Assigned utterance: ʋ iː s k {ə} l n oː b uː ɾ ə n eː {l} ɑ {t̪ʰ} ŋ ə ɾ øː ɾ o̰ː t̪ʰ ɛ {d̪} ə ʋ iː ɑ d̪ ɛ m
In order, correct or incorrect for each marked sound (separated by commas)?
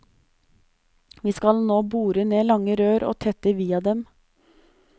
incorrect, correct, incorrect, incorrect